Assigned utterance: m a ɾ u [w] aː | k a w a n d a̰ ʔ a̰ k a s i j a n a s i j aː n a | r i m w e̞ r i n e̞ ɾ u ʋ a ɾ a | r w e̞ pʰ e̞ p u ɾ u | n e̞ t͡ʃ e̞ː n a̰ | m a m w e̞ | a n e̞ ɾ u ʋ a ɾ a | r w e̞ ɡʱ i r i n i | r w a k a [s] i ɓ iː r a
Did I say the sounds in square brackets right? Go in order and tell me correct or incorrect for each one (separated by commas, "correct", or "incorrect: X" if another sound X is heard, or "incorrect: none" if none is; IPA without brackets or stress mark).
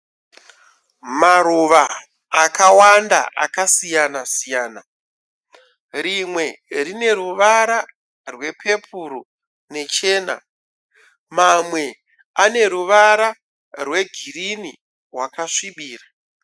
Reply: incorrect: ʋ, incorrect: ʂ